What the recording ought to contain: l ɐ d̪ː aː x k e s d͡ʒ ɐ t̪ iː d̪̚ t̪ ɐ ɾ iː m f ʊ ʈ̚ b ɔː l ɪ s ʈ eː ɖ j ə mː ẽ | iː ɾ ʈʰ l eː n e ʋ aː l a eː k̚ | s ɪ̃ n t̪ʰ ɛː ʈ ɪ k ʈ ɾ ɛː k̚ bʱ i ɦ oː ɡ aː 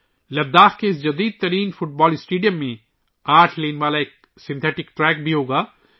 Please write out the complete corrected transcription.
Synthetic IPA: l ɐ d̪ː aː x k e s d͡ʒ ɐ d̪ iː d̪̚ t̪ ɐ ɾ iː n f ʊ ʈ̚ b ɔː l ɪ s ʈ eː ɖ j ə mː ẽ | aː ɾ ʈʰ l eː n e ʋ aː l a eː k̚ | s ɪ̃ n t̪ʰ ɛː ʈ ɪ k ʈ ɾ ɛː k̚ bʱ i ɦ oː ɡ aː